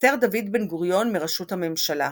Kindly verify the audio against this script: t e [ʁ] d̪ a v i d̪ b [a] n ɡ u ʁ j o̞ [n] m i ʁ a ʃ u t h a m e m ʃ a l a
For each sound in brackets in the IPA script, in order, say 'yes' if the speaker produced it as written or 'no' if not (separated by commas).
yes, no, yes